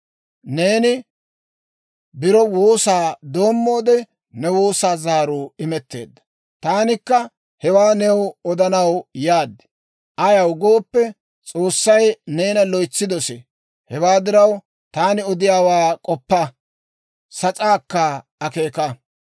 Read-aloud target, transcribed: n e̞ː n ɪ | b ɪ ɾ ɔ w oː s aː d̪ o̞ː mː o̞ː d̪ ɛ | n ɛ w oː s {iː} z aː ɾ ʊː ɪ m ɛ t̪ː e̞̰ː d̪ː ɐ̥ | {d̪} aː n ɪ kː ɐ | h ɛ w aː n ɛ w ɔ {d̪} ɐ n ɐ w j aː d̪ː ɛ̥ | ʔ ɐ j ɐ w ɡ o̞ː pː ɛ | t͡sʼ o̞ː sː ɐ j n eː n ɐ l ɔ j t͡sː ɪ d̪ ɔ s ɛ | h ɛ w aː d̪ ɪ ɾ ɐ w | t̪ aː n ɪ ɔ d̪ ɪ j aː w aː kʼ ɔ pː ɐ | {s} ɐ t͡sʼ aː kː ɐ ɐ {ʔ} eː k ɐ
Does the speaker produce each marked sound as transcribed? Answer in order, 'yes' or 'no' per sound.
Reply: no, no, yes, yes, no

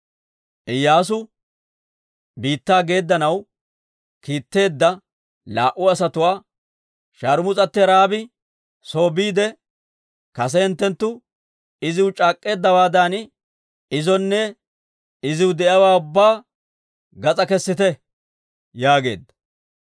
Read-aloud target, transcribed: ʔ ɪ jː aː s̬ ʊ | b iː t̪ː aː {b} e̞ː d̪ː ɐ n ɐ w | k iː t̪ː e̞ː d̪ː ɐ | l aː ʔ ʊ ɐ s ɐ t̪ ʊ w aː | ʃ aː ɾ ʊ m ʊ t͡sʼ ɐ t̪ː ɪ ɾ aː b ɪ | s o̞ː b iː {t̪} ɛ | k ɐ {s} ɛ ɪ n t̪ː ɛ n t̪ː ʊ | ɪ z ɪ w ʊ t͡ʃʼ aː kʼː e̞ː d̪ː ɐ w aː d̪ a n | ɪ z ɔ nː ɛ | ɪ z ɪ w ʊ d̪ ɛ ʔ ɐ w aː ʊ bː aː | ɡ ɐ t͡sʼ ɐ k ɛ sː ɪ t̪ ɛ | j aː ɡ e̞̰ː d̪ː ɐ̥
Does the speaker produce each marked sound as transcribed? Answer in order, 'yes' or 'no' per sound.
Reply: no, no, yes

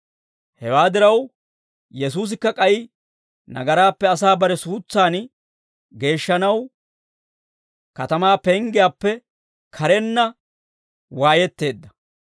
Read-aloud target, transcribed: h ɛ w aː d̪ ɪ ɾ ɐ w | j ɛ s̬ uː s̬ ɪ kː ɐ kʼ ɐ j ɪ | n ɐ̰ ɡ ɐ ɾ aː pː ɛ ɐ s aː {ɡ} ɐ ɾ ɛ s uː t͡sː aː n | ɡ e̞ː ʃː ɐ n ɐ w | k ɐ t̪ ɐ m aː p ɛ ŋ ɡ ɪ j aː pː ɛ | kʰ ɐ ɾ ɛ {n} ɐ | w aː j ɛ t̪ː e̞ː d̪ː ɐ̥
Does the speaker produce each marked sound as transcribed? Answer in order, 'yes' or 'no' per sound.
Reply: no, no

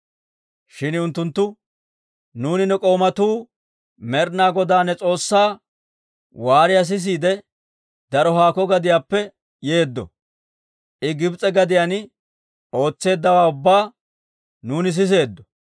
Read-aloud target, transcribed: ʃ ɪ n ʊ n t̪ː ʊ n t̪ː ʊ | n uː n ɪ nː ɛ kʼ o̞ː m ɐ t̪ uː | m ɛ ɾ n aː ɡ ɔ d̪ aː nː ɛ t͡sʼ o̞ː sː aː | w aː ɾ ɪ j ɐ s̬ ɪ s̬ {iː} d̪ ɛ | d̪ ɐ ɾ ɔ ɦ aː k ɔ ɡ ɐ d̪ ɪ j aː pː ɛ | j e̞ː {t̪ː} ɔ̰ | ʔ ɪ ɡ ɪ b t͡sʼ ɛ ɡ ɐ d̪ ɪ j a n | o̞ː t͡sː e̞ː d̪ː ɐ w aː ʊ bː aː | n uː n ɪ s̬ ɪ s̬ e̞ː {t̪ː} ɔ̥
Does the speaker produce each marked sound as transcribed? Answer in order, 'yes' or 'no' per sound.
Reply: yes, no, no

